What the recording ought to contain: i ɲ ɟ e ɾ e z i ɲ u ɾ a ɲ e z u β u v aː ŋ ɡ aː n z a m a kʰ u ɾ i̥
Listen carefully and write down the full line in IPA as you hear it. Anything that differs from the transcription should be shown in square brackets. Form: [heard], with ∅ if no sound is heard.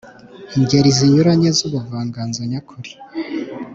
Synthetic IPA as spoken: i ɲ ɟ e ɾ [i] z i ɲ u ɾ a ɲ e z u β u v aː ŋ ɡ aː n z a [ɲ] a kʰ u ɾ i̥